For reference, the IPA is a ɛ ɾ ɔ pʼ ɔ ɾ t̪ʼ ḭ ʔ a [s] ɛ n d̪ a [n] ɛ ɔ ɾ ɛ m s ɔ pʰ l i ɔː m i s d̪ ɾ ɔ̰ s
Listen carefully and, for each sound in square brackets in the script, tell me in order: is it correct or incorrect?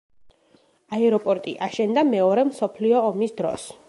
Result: incorrect, incorrect

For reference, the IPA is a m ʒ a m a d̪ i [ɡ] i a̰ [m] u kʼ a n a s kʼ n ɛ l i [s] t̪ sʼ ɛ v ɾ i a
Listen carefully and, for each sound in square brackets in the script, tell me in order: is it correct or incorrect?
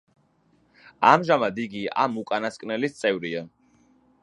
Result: correct, correct, correct

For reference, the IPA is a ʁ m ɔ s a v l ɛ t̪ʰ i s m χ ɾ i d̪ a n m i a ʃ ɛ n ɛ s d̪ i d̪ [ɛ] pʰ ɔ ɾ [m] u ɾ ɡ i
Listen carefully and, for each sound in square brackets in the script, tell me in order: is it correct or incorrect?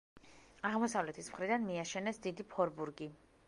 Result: incorrect, incorrect

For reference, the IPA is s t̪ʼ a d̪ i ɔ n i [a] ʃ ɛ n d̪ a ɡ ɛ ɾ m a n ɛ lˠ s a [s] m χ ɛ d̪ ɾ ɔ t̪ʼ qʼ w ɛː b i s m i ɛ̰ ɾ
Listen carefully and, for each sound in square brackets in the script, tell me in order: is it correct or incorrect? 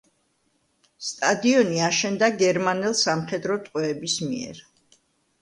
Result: correct, incorrect

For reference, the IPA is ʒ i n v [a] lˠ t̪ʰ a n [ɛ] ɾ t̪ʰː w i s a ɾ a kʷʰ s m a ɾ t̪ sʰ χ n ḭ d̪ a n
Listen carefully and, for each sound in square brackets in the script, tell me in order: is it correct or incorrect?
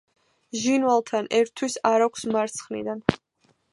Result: correct, correct

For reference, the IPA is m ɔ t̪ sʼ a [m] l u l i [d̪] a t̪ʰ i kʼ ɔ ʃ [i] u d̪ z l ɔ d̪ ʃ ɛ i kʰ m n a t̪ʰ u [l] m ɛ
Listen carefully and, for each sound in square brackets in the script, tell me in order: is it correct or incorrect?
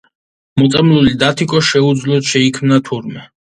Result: correct, correct, incorrect, incorrect

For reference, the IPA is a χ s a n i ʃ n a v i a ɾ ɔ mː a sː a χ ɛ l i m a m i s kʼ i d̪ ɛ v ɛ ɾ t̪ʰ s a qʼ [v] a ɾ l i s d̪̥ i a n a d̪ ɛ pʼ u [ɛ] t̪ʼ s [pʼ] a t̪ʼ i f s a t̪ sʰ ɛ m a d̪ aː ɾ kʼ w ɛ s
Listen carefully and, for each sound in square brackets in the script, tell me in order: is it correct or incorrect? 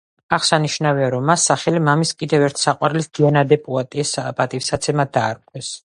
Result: incorrect, incorrect, correct

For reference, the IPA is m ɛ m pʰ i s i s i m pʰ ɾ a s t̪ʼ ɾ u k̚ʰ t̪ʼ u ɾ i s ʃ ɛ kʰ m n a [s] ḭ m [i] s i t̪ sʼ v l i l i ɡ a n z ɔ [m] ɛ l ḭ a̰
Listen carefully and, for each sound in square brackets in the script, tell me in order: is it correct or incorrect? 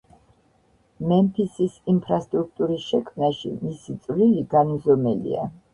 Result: incorrect, correct, correct

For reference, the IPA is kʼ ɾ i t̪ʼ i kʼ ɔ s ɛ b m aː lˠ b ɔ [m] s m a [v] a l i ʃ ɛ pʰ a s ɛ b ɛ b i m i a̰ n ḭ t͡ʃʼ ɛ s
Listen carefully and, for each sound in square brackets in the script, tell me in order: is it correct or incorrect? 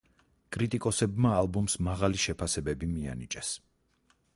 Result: correct, incorrect

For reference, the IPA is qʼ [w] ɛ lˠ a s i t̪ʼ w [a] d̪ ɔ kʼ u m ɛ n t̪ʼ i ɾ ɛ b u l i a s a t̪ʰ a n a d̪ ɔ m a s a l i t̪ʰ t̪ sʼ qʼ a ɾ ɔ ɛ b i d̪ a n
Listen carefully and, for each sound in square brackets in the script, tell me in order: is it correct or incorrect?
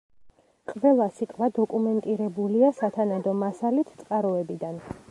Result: incorrect, correct

